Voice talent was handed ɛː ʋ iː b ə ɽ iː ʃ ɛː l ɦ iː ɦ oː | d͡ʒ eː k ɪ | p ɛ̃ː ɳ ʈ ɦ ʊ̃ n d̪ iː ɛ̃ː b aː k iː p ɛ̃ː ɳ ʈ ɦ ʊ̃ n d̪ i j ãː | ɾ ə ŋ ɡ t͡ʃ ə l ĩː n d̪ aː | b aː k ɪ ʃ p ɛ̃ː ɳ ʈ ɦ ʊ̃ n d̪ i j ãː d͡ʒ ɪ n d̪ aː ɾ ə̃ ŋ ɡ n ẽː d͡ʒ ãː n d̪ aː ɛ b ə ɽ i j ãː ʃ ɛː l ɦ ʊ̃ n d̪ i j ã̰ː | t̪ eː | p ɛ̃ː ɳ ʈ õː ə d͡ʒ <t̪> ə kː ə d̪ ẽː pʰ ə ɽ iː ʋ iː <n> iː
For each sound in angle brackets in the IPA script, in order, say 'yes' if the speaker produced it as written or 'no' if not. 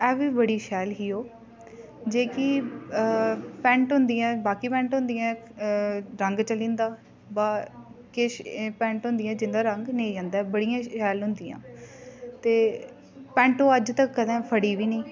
yes, yes

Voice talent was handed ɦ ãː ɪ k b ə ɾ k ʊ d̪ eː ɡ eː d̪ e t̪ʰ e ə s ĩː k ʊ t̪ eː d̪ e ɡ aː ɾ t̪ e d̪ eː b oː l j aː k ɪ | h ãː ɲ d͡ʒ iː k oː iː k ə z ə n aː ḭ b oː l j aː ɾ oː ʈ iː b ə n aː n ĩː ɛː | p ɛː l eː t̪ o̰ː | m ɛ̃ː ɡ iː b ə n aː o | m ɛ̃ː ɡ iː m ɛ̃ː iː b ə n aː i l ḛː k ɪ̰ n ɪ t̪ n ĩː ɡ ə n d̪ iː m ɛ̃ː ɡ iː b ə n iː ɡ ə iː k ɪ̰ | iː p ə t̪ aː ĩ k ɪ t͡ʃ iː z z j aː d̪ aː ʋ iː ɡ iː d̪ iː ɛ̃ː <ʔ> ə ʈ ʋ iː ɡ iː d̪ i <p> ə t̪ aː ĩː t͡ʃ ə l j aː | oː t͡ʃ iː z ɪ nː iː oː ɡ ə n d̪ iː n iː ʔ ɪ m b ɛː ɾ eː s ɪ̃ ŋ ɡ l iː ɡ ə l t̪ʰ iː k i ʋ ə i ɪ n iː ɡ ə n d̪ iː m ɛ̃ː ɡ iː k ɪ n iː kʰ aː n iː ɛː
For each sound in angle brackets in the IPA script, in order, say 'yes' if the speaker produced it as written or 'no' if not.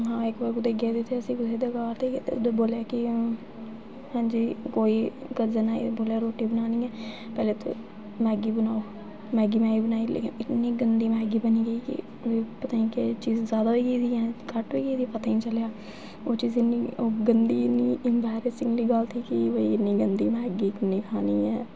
no, yes

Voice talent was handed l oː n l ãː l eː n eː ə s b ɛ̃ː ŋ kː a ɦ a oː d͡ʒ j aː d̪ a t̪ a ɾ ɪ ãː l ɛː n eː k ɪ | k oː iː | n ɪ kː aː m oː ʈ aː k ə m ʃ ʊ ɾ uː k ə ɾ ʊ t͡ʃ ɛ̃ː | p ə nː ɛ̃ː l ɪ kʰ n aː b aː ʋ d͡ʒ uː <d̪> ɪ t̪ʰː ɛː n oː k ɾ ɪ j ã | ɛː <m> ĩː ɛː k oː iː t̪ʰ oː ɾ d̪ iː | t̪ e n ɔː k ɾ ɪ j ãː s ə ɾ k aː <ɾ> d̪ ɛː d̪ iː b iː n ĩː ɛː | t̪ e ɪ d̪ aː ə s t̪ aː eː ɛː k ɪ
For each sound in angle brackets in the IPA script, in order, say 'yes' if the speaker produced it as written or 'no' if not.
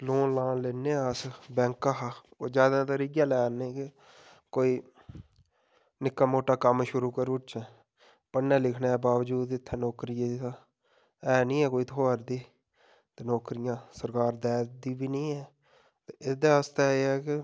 yes, no, yes

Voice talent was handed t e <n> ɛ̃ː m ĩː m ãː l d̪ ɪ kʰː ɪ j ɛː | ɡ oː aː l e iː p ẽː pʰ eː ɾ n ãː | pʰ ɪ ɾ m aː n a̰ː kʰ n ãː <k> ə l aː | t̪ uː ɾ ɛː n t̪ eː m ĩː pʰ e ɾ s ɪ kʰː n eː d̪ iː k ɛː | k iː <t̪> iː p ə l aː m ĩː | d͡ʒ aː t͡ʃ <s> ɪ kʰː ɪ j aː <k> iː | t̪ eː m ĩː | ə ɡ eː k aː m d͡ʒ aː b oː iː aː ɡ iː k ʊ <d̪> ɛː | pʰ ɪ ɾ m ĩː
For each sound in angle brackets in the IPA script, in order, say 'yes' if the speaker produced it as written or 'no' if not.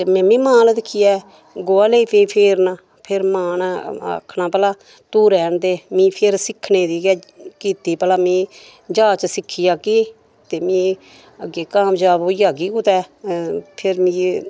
no, no, yes, yes, yes, no

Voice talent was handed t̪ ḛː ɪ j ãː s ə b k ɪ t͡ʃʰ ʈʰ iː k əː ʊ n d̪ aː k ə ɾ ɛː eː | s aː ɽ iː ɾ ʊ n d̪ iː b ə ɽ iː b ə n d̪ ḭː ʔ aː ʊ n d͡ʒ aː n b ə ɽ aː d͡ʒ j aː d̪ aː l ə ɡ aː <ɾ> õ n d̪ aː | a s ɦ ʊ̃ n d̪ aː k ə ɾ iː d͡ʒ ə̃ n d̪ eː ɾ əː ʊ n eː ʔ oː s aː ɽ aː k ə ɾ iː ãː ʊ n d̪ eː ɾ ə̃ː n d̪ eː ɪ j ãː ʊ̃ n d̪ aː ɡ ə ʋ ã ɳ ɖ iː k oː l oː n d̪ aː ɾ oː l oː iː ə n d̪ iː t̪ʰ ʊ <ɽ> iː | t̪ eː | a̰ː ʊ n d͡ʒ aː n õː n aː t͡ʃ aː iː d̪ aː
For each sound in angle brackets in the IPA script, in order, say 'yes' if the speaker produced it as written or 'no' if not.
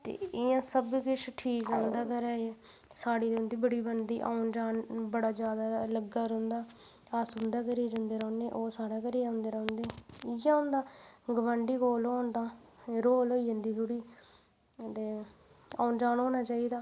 yes, yes

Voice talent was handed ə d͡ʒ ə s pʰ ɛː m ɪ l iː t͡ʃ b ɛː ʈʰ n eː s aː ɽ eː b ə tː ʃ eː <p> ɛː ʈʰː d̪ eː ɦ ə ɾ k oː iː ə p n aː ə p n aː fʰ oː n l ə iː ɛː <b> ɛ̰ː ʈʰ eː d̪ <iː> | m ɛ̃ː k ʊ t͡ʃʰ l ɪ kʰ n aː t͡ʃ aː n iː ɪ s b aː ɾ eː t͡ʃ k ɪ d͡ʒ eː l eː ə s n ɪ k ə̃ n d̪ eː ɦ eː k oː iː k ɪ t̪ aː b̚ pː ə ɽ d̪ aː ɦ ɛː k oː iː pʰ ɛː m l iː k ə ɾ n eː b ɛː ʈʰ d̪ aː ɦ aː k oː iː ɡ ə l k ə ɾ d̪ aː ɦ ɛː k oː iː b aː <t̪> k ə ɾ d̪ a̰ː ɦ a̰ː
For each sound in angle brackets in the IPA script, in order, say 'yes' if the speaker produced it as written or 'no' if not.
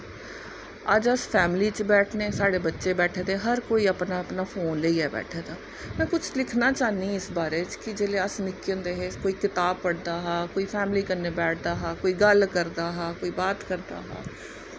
no, yes, no, yes

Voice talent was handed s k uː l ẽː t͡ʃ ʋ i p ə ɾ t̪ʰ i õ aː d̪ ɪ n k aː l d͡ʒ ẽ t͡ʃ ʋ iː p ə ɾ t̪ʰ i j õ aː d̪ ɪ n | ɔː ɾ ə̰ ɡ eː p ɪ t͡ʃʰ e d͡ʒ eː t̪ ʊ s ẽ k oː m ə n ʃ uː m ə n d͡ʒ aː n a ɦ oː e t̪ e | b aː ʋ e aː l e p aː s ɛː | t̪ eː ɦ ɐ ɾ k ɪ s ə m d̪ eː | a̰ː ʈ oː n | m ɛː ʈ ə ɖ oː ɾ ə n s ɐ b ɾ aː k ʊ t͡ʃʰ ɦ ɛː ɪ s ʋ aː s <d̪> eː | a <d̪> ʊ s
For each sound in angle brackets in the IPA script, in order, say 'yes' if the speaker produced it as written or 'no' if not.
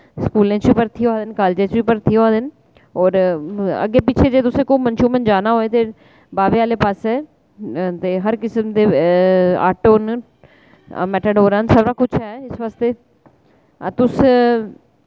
no, no

